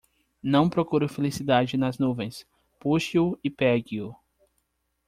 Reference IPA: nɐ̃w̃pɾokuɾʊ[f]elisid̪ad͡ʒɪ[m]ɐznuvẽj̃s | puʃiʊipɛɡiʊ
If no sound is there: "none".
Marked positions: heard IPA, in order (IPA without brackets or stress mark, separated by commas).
f, n